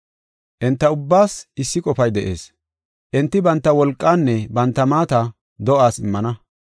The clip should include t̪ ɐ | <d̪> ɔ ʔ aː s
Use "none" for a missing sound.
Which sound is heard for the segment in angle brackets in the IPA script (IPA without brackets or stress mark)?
d̪